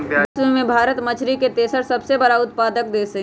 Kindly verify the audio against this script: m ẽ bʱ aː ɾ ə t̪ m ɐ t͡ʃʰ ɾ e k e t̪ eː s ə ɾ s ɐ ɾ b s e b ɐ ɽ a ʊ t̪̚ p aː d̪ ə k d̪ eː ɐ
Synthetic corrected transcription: m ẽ bʱ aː ɾ ə t̪ m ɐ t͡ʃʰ ɾ i k e t̪ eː s ə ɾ s ɐ b s e b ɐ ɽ a ʊ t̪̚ p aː d̪ ə k d̪ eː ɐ

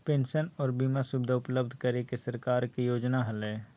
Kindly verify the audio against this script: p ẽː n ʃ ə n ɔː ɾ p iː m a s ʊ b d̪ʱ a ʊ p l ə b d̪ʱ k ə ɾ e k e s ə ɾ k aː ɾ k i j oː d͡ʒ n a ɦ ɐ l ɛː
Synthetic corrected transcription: p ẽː n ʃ ə n ɔː ɾ b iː m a s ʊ b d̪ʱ a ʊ p l ə b d̪ʱ k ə ɾ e k e s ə ɾ k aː ɾ k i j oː d͡ʒ n a ɦ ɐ l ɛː

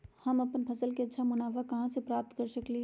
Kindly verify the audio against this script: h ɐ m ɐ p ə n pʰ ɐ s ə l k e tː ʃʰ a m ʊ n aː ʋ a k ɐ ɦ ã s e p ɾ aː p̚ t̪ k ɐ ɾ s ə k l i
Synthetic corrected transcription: h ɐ m ɐ p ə n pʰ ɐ s ə l k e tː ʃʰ a m ʊ n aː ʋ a k ɐ ɦ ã s e p ɾ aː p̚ t̪ k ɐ ɾ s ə k l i

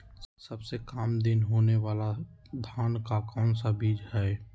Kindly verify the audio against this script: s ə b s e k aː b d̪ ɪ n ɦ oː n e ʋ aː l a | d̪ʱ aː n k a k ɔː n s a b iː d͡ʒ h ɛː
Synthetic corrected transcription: s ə b s e k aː m d̪ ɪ n ɦ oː n e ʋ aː l a | d̪ʱ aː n k a k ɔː n s a b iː d͡ʒ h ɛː

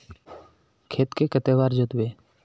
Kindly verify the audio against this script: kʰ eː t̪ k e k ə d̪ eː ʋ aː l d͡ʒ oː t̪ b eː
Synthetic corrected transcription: kʰ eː t̪ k e k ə t̪ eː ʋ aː ɾ d͡ʒ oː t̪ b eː

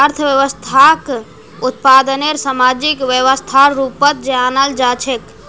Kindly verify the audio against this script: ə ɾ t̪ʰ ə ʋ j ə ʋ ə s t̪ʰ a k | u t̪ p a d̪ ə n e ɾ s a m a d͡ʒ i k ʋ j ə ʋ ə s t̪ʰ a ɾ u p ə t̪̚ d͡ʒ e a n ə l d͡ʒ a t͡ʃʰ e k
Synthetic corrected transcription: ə ɾ t̪ʰ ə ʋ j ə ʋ ə s t̪ʰ a k | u t̪ p a d̪ ə n e ɾ s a m a d͡ʒ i k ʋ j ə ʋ ə s t̪ʰ a ɾ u p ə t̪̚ d͡ʒ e a n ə l d͡ʒ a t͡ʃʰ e k

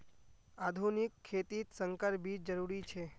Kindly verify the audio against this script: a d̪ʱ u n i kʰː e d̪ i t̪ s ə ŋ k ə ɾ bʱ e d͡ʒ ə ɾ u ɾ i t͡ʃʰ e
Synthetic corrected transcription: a d̪ʱ u n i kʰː e t̪ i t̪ s ə ŋ k ə ɾ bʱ i d͡ʒ ə ɾ u ɾ i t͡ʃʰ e

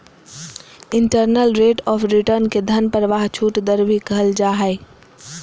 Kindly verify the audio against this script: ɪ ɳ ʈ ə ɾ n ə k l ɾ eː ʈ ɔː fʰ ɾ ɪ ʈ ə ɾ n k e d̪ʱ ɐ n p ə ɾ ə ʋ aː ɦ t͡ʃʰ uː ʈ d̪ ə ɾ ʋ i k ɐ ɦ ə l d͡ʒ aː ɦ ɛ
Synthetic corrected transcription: ɪ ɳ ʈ ə ɾ n ə l ɾ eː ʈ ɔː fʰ ɾ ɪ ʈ ə ɾ n k e d̪ʱ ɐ n p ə ɾ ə ʋ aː ɦ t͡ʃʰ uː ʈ d̪ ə ɾ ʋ i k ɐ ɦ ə l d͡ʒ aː ɦ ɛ

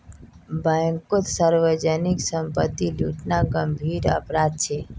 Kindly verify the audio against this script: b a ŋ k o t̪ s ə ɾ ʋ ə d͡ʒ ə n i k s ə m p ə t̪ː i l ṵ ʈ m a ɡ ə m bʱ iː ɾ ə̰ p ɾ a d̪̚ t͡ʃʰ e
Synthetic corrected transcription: b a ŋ k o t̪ s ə ɾ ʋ ə d͡ʒ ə n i k s ə m p ə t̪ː i l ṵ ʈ n a ɡ ə m bʱ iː ɾ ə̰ p ɾ a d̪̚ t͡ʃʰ e

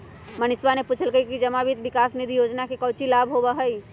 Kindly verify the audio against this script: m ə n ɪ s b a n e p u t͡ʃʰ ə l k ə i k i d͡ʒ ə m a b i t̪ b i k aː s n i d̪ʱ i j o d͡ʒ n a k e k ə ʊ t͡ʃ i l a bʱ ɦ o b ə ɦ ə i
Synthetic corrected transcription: m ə n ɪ s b a n e p u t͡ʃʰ ə l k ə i k i d͡ʒ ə m a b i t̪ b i k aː s n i d̪ʱ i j o d͡ʒ n a k e k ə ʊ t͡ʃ i l a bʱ ɦ o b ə ɦ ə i

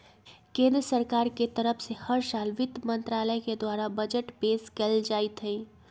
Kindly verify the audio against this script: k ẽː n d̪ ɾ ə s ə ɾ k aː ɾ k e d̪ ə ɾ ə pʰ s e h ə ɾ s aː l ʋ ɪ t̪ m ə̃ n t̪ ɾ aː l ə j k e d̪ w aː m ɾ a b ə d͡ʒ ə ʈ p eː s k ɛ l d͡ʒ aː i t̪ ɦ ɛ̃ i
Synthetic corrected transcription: k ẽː n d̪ ɾ ə s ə ɾ k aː ɾ k e t̪ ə ɾ ə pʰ s e h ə ɾ s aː l ʋ ɪ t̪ m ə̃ n t̪ ɾ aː l ə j k e d̪ w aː ɾ a b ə d͡ʒ ə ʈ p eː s k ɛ l d͡ʒ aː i t̪ ɦ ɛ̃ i

